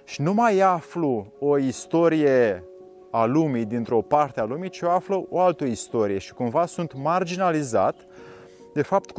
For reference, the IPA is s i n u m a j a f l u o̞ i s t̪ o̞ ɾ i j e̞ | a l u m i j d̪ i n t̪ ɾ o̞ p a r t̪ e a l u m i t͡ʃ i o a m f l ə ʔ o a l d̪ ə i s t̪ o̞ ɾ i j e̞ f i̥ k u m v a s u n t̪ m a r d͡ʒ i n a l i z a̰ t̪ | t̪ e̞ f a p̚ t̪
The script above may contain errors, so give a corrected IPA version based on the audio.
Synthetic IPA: ʃ i n u m a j a f l u o̞ i s t̪ o̞ ɾ i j e̞ | a l u m i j d̪ i n t̪ ɾ o̞ p a r t̪ e a l u m i t͡ʃ i o a f l ə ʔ o a l t̪ ə i s t̪ o̞ ɾ i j e̞ ʃ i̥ k u m v a s u n t̪ m a r d͡ʒ i n a l i z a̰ t̪ | d̪ e̞ f a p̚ t̪